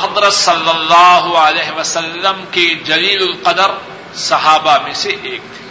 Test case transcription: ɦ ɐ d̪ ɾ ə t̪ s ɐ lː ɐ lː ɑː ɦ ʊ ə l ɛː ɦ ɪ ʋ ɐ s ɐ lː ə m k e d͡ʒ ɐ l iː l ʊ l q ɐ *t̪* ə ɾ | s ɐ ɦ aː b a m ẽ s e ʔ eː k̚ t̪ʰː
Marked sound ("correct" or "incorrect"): incorrect